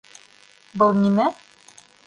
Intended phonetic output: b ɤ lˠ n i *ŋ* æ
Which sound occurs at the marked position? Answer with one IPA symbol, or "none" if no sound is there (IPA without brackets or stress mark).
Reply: m